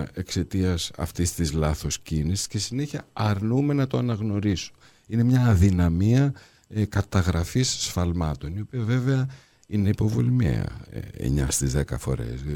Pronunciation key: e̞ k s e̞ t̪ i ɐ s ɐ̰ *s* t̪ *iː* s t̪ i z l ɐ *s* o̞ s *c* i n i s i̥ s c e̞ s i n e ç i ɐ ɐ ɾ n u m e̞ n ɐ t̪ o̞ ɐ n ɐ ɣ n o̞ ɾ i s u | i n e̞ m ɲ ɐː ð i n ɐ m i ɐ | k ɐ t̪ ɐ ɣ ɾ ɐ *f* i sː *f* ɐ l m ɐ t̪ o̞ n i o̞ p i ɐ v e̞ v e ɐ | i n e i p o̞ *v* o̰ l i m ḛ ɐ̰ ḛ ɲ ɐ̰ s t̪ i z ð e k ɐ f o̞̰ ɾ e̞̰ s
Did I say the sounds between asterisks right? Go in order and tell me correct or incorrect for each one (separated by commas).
incorrect, incorrect, incorrect, correct, correct, correct, correct